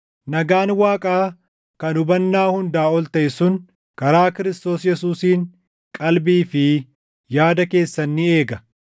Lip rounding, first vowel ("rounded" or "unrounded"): unrounded